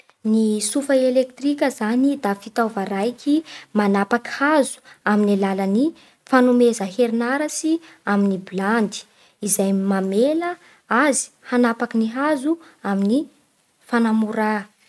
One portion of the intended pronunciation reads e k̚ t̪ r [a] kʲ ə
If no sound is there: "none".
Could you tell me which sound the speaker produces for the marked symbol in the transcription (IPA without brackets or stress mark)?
i